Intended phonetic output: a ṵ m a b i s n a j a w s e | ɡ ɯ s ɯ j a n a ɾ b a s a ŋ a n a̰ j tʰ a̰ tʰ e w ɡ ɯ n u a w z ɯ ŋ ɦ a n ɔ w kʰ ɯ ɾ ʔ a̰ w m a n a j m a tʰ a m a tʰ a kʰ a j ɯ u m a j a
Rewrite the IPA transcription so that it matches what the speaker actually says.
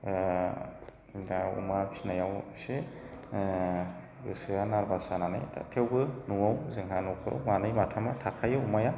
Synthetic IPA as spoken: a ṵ m a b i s n a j a w s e | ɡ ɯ s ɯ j a n a ɾ b a s a n a n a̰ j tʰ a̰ tʰ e w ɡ ɯ n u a w z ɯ ŋ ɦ a n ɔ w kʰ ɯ ɾ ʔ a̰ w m a n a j m a tʰ a m a tʰ a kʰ a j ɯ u m a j a